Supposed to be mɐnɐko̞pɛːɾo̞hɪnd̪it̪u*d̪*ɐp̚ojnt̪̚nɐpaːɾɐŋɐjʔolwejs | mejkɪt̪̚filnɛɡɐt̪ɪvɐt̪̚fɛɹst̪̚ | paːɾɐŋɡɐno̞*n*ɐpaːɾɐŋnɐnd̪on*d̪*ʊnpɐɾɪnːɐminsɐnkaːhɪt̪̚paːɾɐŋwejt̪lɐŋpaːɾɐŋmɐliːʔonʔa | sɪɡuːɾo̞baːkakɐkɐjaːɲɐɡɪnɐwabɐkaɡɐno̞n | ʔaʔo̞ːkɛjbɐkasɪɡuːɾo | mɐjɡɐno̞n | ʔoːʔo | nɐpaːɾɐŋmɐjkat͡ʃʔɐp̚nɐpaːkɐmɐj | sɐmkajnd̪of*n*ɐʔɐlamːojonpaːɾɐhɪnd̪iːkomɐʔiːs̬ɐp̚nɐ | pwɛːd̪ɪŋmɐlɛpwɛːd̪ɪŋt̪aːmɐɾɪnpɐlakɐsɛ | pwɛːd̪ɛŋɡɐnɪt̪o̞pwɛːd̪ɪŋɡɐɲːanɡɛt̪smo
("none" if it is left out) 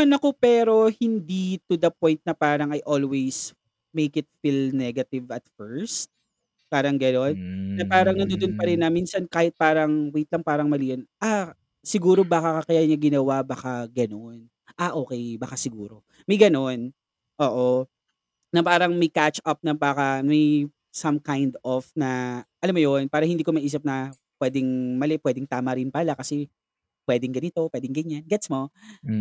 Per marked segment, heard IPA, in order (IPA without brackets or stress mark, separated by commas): d̪, nː, d̪, n